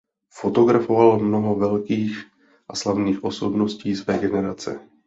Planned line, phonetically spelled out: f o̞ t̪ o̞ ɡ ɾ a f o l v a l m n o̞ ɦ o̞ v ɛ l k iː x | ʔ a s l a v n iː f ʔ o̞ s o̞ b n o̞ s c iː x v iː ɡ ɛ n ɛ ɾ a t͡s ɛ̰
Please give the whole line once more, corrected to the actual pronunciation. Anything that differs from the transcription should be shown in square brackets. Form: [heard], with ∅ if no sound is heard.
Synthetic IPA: f o̞ t̪ o̞ ɡ ɾ a f o [∅] v a l m n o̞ ɦ o̞ v ɛ l k iː x | ʔ a s l a v n iː [x] ʔ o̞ s o̞ b n o̞ s c iː [s] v [ɛː] ɡ ɛ n ɛ ɾ a t͡s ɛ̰